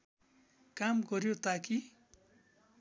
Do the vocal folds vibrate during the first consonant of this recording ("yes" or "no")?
no